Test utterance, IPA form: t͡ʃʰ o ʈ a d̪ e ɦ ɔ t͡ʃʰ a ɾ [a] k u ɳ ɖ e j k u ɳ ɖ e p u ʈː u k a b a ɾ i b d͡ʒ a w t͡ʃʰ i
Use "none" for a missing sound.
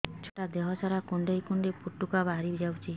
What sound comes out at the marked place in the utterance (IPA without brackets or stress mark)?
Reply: a